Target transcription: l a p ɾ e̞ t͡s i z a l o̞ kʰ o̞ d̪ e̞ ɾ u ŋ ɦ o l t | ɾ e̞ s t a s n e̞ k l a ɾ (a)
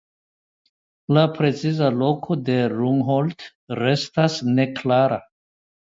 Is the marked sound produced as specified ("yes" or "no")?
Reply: yes